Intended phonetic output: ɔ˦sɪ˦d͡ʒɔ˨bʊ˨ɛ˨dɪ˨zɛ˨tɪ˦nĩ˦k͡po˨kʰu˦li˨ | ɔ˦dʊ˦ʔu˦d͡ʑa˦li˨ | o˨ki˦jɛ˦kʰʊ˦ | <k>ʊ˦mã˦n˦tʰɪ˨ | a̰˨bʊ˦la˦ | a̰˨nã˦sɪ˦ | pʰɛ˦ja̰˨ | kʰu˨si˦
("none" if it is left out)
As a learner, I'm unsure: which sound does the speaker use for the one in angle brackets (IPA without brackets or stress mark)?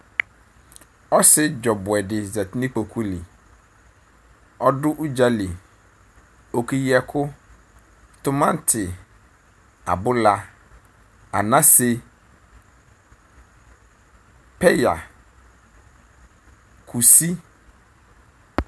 t